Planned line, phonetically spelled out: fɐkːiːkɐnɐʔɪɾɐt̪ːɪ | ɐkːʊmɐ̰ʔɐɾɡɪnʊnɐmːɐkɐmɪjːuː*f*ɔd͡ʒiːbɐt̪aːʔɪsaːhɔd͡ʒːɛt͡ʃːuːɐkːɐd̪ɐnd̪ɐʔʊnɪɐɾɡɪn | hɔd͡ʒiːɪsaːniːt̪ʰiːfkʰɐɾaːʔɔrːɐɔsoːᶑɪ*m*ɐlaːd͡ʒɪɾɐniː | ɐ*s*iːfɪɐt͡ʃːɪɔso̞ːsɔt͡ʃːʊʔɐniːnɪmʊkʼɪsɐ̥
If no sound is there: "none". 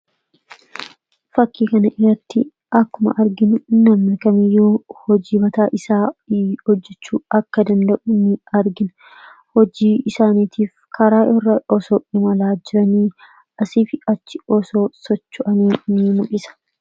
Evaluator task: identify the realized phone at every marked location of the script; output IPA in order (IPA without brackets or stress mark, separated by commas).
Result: h, m, s